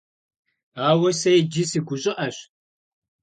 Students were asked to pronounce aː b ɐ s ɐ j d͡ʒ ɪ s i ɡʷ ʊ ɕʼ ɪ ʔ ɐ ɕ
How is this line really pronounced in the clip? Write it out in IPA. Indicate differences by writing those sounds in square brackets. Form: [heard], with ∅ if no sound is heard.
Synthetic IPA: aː [w] ɐ s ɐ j d͡ʒ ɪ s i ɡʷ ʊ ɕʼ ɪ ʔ ɐ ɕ